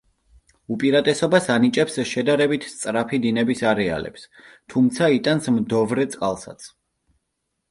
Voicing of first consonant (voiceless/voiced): voiceless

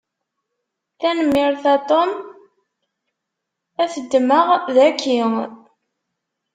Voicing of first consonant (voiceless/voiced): voiceless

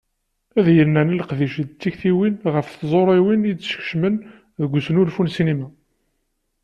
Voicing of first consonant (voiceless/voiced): voiced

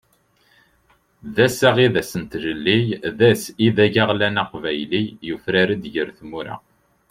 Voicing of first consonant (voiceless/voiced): voiced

